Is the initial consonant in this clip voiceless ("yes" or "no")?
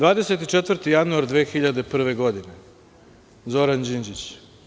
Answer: no